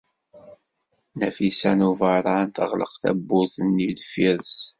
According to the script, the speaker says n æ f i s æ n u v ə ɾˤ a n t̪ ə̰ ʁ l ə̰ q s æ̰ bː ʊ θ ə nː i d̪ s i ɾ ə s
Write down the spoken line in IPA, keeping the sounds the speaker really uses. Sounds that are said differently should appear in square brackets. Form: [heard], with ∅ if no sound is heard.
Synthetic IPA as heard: n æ f i s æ n u v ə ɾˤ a n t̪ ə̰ ʁ l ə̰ q [θ] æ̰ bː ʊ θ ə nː i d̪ [f] i ɾ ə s